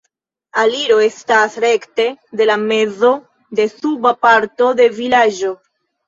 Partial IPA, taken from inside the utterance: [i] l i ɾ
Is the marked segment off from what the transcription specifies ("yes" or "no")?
yes